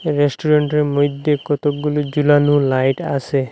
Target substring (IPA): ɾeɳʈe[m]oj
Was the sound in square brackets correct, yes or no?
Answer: yes